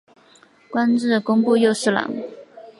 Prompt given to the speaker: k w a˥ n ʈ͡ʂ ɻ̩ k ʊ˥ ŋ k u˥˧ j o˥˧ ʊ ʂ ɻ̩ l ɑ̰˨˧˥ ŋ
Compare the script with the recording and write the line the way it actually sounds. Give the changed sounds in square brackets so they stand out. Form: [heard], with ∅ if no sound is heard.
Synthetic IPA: k w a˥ n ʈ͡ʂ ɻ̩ k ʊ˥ ŋ [p] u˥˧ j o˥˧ ʊ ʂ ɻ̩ l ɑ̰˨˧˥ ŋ

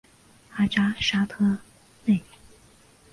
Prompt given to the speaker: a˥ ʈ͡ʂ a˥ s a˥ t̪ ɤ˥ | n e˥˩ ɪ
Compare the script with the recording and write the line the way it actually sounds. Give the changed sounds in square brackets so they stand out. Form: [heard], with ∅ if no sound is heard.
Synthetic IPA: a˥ ʈ͡ʂ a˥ [ʂ] a˥ [t̪ʰ] ɤ˥ | n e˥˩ ɪ

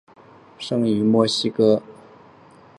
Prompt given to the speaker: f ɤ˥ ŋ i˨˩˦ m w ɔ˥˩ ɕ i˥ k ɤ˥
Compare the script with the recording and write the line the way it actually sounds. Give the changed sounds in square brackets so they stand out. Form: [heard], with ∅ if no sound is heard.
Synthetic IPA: [ʂ] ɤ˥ ŋ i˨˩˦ m w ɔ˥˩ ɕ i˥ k ɤ˥

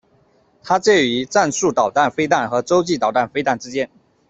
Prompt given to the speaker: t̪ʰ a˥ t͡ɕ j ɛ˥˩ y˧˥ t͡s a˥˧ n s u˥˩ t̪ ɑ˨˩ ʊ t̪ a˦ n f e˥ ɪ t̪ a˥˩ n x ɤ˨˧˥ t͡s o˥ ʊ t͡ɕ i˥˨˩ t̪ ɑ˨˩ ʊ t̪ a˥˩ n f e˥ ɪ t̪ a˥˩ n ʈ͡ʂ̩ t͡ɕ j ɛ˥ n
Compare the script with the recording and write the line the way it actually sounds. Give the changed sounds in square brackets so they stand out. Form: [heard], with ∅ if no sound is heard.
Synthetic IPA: t̪ʰ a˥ t͡ɕ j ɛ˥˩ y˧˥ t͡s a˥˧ n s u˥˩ t̪ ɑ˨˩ ʊ t̪ [a˥˩] n f e˥ ɪ t̪ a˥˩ n x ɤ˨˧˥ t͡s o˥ ʊ t͡ɕ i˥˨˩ t̪ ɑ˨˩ ʊ t̪ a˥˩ n f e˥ ɪ t̪ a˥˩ n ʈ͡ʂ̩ t͡ɕ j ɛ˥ n

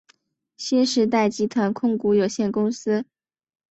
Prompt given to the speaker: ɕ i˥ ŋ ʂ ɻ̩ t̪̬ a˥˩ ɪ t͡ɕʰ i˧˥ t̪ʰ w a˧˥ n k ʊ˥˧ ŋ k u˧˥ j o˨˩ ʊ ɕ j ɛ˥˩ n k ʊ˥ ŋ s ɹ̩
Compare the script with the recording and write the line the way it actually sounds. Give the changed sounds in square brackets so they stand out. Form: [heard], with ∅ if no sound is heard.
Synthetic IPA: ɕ i˥ [n] ʂ ɻ̩ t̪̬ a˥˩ ɪ [t͡ɕ] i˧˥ t̪ʰ w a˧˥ n [kʰ] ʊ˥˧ ŋ k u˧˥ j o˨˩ ʊ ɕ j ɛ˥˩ n k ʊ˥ ŋ s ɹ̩

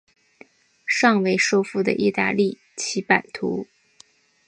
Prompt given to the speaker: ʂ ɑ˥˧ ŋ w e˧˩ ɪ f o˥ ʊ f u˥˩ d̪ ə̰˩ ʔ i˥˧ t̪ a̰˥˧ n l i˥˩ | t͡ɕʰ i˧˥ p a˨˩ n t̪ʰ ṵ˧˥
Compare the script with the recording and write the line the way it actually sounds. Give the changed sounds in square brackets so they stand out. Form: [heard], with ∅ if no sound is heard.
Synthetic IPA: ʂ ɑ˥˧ ŋ w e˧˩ ɪ [ʂ] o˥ ʊ f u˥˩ d̪ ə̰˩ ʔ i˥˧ t̪ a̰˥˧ [∅] l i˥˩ | t͡ɕʰ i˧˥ p a˨˩ n t̪ʰ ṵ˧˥

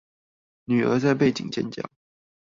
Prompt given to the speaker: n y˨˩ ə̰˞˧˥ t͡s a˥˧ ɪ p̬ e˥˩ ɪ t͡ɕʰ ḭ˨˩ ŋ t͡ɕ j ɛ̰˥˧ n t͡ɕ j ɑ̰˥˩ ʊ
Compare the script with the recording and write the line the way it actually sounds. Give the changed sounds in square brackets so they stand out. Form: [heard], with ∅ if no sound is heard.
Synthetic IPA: n y˨˩ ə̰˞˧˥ t͡s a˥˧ ɪ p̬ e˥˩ ɪ [t͡ɕ] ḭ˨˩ ŋ t͡ɕ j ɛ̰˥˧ n t͡ɕ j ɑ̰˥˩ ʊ

